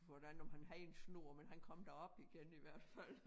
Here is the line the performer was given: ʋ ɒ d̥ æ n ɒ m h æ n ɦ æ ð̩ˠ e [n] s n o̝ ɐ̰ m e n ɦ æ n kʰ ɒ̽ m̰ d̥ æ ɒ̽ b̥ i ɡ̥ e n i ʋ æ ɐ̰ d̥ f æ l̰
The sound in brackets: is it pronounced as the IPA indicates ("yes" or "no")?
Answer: yes